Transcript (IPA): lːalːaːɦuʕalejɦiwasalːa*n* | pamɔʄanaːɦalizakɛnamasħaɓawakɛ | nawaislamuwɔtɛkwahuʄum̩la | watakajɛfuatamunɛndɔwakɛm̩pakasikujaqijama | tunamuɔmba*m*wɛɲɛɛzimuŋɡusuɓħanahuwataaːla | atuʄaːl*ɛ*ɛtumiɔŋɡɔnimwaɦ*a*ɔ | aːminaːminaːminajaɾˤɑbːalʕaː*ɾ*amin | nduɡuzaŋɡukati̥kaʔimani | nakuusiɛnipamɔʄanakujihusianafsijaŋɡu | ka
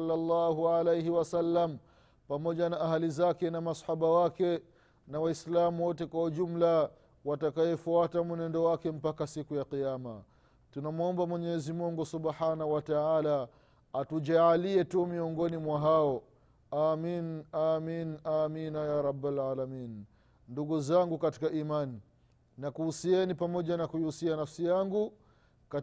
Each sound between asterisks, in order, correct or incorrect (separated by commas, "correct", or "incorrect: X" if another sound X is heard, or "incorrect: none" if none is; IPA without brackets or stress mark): incorrect: m, correct, incorrect: i, correct, incorrect: l